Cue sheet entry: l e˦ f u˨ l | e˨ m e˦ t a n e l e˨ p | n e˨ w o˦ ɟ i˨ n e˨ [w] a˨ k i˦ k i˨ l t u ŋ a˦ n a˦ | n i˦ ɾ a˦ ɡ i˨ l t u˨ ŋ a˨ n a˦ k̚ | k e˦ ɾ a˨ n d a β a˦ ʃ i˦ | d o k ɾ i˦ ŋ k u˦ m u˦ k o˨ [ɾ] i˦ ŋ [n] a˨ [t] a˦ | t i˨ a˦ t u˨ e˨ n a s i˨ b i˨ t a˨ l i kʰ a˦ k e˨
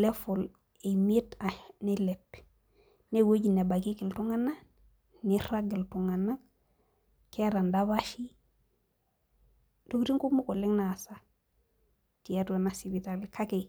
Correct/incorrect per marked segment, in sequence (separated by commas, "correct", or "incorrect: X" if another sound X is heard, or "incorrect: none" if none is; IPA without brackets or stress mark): incorrect: b, incorrect: l, correct, incorrect: s